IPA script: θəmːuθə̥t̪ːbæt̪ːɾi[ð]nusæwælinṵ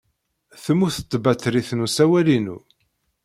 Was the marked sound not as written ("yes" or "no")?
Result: yes